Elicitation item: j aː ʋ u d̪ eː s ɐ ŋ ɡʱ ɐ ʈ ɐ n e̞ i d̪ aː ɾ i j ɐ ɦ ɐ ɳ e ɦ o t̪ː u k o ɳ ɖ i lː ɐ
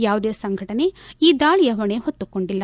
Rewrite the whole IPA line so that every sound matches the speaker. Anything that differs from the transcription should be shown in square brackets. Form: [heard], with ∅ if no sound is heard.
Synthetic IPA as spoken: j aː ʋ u d̪ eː s ɐ ŋ ɡʱ ɐ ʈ ɐ n e̞ [iː] d̪ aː [ɭ] i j ɐ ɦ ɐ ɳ e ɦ o t̪ː u k o ɳ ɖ i lː ɐ